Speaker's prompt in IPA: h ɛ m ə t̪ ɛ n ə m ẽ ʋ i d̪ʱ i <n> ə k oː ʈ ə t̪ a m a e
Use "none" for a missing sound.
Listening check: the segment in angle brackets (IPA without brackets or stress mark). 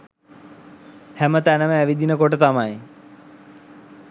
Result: n